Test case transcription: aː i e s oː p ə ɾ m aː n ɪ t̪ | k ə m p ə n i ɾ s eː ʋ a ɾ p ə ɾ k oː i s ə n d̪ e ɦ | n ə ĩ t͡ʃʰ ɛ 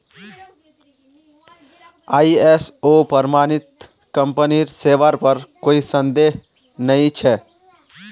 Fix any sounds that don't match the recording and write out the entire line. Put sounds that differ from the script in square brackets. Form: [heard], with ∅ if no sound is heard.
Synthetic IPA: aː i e s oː p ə ɾ m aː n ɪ t̪ | k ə m p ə n i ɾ s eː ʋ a ɾ p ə ɾ k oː i s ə n d̪ e ɦ | n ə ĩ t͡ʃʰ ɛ